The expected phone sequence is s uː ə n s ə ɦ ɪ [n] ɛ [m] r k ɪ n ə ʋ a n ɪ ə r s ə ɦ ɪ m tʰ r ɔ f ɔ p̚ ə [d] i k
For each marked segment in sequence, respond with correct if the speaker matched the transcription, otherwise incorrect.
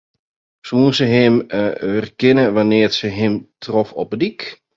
incorrect: m, incorrect: none, correct

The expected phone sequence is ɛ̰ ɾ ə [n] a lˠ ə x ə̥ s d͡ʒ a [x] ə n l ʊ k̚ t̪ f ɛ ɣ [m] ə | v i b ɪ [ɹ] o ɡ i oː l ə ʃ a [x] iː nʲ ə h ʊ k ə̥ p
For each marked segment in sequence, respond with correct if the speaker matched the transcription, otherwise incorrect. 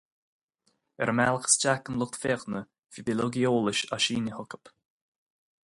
incorrect: m, incorrect: k, incorrect: n, incorrect: l, incorrect: ʃ

